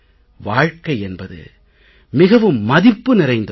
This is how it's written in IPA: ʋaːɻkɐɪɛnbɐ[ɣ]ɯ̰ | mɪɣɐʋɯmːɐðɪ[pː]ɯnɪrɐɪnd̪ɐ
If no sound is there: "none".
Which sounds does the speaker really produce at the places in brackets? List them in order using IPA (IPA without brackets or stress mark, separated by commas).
ð, pː